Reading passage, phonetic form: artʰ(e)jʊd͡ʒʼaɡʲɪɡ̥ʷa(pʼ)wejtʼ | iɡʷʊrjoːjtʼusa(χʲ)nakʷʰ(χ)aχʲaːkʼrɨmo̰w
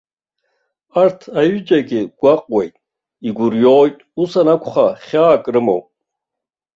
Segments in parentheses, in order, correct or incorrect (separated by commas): incorrect, incorrect, incorrect, correct